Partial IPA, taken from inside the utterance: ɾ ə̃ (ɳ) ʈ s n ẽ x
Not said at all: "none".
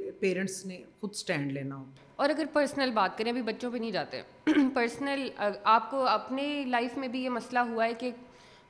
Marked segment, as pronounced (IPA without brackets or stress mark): ɳ